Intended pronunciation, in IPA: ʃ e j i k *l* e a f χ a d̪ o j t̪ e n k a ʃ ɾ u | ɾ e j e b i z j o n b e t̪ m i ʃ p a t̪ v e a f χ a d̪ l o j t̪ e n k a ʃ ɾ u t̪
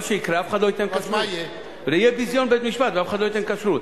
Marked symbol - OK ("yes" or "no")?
no